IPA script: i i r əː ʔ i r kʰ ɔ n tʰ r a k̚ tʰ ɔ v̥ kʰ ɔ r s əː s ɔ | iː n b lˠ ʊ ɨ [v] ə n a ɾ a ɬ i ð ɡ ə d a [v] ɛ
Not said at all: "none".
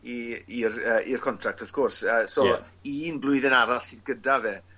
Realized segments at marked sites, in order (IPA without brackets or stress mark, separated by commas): ð, v